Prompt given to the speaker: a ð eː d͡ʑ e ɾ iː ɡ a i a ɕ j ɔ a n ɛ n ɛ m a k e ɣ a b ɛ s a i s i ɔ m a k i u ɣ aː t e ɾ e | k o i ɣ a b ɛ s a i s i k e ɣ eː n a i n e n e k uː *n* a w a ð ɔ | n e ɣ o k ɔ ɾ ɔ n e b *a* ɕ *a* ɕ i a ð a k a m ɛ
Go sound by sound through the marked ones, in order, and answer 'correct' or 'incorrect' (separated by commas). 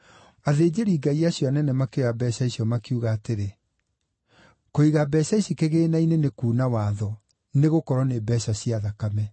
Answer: correct, incorrect, correct